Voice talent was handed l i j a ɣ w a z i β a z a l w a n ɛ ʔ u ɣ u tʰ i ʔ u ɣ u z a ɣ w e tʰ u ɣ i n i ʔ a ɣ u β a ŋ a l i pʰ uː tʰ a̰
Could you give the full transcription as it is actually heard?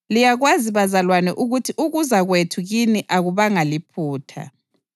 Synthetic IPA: l i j a ɣ w a z i β a z a l w a n ɛ ʔ u ɣ u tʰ i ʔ u ɣ u z a ɣ w e tʰ u ɣ i n i ʔ a ɣ u β a ŋ a l i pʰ uː tʰ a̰